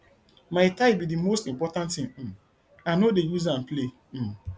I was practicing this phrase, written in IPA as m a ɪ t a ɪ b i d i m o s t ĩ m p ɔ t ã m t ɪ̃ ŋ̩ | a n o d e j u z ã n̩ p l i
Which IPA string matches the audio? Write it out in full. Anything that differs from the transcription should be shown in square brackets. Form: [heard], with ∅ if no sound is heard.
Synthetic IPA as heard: m a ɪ t a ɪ b i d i m o s t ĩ m p ɔ t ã [n] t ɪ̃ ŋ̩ | a n o d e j u z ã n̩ p l [e]